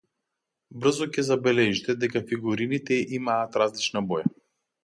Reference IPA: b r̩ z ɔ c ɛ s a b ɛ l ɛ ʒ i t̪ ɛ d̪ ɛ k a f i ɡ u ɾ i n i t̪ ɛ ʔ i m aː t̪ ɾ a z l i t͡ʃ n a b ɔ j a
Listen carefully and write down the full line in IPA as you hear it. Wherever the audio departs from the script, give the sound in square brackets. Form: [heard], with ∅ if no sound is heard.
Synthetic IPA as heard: b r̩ z ɔ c ɛ [z] a b ɛ l ɛ ʒ i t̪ ɛ d̪ ɛ k a f i ɡ u ɾ i n i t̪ ɛ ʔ i m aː t̪ ɾ a z l i t͡ʃ n a b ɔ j a